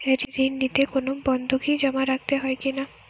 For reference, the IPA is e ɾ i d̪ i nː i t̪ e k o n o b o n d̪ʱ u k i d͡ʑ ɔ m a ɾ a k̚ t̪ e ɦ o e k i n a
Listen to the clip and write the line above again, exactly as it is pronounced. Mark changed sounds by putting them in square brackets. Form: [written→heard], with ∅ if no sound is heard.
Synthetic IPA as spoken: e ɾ i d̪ i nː i t̪ e k o n o b [o→ɔ] n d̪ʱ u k i d͡ʑ ɔ m a ɾ a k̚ t̪ e ɦ [o→ɔ] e k i n a